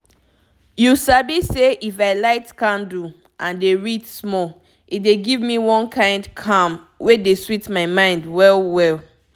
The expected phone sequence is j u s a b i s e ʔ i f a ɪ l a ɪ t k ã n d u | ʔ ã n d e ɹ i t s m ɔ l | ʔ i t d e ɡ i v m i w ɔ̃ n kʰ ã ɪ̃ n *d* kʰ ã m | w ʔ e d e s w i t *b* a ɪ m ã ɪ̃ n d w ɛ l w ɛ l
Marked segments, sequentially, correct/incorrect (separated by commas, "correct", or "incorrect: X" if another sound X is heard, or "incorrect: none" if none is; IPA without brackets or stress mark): correct, incorrect: m